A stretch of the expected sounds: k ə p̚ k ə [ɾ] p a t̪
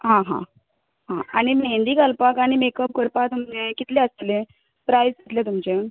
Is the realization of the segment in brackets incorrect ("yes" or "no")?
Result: no